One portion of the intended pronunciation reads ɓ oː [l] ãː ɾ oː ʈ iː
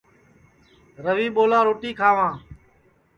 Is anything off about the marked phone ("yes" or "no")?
no